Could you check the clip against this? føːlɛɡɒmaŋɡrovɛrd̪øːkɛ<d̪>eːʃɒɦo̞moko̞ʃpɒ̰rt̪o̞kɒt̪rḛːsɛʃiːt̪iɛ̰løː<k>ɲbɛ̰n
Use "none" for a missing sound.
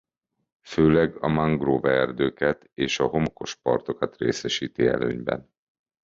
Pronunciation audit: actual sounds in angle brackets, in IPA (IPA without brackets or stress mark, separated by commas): t̪, none